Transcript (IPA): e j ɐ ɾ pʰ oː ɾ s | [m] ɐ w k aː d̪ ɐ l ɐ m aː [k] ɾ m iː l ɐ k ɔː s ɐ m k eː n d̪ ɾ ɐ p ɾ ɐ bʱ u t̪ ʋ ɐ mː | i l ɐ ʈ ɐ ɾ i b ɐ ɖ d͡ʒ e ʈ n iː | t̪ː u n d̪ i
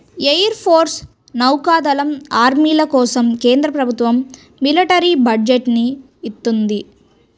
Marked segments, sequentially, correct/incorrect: incorrect, incorrect

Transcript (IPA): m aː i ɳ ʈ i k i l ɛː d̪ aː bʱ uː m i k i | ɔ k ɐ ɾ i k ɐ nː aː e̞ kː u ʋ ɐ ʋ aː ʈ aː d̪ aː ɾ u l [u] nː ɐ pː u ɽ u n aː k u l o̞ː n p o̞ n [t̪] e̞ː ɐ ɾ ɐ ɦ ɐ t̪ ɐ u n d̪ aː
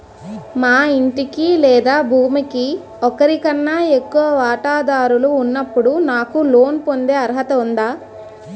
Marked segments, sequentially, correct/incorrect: incorrect, incorrect

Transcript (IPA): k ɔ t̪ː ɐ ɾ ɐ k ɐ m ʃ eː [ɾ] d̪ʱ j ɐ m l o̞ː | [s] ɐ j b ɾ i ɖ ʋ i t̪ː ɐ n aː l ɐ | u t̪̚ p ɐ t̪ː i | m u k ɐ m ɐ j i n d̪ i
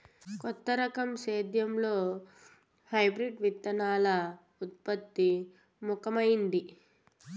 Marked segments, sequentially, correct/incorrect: incorrect, incorrect

